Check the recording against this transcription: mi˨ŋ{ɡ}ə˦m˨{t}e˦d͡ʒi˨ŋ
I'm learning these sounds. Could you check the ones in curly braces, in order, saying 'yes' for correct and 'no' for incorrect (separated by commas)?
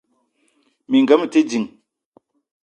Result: yes, yes